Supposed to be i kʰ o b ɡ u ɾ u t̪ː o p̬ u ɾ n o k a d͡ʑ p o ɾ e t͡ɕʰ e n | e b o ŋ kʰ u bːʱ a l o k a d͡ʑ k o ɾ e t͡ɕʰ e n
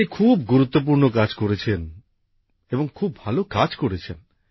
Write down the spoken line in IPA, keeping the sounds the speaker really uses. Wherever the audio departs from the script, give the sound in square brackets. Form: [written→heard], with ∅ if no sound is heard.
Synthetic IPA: i kʰ [o→u] b ɡ u ɾ u t̪ː o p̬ u ɾ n o k a d͡ʑ [p→k] o ɾ e t͡ɕʰ e n | e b o ŋ kʰ u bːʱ a l o k a d͡ʑ k o ɾ e t͡ɕʰ e n